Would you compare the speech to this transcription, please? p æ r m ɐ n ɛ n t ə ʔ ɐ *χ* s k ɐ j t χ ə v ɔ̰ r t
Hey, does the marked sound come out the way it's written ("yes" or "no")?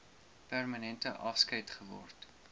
no